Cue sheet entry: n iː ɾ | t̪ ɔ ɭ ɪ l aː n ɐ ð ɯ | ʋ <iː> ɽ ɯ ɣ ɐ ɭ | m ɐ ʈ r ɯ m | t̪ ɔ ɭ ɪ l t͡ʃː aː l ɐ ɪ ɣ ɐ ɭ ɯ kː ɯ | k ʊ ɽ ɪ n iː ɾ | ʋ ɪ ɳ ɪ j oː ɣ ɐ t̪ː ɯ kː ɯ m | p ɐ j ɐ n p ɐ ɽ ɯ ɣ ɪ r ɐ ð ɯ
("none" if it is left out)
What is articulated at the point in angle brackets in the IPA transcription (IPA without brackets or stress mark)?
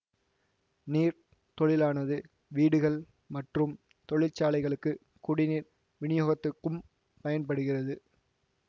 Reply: iː